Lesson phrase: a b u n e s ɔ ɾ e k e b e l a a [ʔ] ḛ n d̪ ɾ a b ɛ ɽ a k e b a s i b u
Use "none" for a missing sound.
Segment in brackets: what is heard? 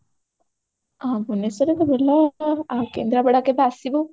k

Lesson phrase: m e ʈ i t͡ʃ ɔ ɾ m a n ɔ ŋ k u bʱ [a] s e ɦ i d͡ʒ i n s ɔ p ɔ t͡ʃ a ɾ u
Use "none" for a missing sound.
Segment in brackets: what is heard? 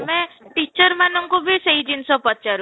i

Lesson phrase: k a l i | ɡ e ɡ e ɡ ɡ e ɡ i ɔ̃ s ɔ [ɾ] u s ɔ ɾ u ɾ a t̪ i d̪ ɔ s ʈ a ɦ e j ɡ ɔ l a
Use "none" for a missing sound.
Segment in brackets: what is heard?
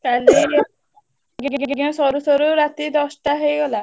ɾ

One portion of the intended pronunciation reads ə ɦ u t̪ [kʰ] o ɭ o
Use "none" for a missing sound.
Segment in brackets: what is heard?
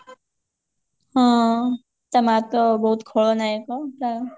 kʰ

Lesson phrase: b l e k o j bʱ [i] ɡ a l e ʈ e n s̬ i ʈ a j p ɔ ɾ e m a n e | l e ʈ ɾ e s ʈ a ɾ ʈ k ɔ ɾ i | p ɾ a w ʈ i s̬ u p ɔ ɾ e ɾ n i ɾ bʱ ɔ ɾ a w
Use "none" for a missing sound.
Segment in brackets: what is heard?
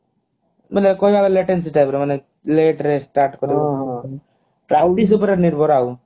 a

